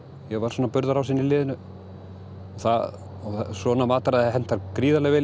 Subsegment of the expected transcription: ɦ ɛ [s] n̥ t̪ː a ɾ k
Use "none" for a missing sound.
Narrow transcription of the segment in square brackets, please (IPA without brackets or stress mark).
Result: none